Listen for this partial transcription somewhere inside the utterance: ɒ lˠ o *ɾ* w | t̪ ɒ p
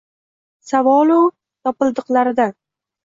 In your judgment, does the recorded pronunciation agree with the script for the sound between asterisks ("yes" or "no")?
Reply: no